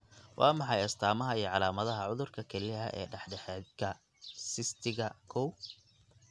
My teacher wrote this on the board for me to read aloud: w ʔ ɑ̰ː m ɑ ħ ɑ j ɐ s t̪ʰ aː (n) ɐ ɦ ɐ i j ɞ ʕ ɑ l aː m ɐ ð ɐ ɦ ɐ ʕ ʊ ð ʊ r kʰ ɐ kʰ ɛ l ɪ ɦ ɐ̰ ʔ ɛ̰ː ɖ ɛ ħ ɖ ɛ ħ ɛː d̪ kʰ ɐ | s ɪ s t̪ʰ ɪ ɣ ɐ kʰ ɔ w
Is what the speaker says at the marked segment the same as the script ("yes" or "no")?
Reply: no